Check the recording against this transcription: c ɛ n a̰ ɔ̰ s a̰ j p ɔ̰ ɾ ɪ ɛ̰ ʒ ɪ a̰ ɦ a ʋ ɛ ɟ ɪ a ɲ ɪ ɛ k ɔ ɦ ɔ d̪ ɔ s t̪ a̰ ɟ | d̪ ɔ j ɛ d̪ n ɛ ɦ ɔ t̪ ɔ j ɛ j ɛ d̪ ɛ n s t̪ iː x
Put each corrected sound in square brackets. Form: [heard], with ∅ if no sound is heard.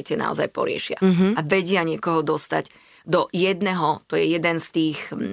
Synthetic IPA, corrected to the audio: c ɛ n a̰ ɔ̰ [z] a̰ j p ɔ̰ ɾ ɪ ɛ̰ [ʃ] ɪ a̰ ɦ a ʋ ɛ ɟ ɪ a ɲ ɪ ɛ k ɔ ɦ ɔ d̪ ɔ s t̪ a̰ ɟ | d̪ ɔ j ɛ d̪ n ɛ ɦ ɔ t̪ ɔ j ɛ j ɛ d̪ ɛ n s t̪ iː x